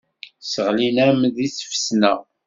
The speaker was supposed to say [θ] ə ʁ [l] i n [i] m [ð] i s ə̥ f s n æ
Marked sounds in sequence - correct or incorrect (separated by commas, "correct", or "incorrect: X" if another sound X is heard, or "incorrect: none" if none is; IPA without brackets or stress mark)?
incorrect: s, correct, incorrect: æ, correct